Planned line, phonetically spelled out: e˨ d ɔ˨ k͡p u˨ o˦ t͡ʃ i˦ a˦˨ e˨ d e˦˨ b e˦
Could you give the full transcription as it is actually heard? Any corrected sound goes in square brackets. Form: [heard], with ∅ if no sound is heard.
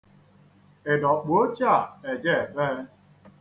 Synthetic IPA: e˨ d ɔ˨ k͡p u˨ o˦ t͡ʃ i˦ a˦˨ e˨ [d͡ʒ] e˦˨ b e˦

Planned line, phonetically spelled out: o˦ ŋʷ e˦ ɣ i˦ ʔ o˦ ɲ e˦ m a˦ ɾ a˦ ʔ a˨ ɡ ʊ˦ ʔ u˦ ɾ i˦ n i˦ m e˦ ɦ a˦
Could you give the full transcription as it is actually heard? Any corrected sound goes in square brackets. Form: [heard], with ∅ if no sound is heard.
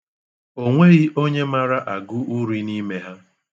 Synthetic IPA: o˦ ŋʷ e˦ ɣ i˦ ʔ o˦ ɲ e˦ m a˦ ɾ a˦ ʔ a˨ ɡ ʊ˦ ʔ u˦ ɾ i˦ n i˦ m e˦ ɦ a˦

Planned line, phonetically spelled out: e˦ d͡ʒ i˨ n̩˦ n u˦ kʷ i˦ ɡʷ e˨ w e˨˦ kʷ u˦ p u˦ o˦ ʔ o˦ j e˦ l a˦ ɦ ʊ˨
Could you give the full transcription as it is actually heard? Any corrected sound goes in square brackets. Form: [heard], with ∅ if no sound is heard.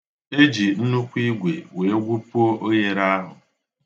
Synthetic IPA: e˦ d͡ʒ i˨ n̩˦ n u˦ kʷ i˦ ɡʷ e˨ w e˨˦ [ɡʷ] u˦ p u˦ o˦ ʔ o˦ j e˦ [ɾ] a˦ ɦ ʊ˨

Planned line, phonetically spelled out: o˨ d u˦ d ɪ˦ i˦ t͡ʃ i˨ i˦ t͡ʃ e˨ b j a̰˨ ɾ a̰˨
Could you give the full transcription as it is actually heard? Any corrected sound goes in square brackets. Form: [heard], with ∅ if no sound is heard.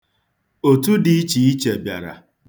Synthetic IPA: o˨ [t] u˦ d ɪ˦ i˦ t͡ʃ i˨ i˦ t͡ʃ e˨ b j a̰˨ ɾ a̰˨

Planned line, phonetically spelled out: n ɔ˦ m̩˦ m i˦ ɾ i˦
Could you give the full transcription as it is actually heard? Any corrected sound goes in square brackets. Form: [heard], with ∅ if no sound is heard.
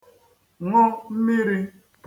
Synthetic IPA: [ŋ] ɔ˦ m̩˦ m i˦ ɾ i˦

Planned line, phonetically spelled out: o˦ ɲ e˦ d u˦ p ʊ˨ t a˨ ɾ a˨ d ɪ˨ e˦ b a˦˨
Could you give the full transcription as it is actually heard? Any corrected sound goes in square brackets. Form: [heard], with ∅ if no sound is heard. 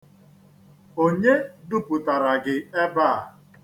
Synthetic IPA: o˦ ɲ e˦ d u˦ p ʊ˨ t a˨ ɾ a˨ [ɡ] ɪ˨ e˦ b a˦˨

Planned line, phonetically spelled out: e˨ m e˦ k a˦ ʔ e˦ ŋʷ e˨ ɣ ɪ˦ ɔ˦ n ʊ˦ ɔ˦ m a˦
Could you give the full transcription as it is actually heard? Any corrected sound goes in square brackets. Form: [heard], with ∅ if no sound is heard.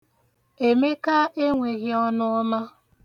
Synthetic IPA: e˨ m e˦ k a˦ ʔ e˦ ŋʷ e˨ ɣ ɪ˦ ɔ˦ n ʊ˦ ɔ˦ m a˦

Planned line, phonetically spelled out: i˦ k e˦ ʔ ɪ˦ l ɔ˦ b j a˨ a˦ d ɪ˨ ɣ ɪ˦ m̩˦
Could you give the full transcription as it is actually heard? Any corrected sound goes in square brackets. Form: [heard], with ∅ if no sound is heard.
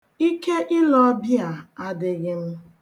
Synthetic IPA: i˦ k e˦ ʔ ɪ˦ l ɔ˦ b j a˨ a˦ d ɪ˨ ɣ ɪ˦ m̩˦

